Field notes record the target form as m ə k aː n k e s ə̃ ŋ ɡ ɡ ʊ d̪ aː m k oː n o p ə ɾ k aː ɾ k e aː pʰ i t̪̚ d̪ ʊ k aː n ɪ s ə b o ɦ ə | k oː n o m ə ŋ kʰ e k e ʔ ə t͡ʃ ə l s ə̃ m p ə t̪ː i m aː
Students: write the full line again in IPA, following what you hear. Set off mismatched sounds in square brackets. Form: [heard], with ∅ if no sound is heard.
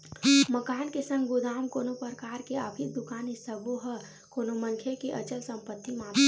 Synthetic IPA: m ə k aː n k e s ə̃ ŋ ɡ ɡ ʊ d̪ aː m k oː n o p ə ɾ k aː ɾ k e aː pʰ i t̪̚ d̪ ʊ k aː n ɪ s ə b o ɦ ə | k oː n o m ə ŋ kʰ e k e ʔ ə t͡ʃ ə l s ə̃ m p ə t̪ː i m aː